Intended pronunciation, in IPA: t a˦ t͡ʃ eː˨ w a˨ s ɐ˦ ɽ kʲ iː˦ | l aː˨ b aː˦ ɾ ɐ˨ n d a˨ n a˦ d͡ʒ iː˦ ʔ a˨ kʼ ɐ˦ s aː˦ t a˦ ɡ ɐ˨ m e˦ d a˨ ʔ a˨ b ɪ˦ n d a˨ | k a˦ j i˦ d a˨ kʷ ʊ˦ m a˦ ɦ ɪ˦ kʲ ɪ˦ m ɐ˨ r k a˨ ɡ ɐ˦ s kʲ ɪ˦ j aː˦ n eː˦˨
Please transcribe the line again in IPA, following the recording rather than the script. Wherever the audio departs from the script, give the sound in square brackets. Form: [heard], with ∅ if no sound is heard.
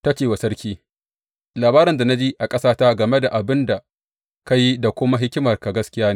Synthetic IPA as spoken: t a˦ t͡ʃ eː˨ w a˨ s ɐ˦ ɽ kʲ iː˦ | l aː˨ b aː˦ ɾ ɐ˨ n d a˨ n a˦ d͡ʒ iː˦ ʔ a˨ kʼ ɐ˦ s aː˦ t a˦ ɡ ɐ˨ m e˦ d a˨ ʔ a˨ b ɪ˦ n d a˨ | k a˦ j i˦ d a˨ kʷ ʊ˦ m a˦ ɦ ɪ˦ kʲ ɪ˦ m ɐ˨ r k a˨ ɡ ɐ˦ s kʲ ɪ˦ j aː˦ n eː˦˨

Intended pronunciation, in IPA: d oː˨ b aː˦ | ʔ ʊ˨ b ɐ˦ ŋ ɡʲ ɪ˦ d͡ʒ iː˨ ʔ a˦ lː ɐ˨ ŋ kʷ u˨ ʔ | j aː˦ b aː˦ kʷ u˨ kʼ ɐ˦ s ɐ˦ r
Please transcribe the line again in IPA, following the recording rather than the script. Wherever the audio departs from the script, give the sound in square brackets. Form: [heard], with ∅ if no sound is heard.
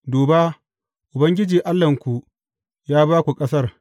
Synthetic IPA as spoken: d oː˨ b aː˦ | ʔ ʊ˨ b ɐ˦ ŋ ɡʲ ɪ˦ d͡ʒ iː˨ ʔ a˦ lː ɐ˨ ŋ kʷ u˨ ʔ | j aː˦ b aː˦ kʷ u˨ kʼ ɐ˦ s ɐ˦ r

